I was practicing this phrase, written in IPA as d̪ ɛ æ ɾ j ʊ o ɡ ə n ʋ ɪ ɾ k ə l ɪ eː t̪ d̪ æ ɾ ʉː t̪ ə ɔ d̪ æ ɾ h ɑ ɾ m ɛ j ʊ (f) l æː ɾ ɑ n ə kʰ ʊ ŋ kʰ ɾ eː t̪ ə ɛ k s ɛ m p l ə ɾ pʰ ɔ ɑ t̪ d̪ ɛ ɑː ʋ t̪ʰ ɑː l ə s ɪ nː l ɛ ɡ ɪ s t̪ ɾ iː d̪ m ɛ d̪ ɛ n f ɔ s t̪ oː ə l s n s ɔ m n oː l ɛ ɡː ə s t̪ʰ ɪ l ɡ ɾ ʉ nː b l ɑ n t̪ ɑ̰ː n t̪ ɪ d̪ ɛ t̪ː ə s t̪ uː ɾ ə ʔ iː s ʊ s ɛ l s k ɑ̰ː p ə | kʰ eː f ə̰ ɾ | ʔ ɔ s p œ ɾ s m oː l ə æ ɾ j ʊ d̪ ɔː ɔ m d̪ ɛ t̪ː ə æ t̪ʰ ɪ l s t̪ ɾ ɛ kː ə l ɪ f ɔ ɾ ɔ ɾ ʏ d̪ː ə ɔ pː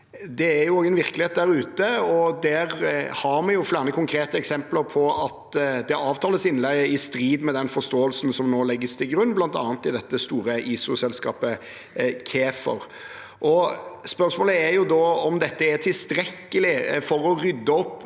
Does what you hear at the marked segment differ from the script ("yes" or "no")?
no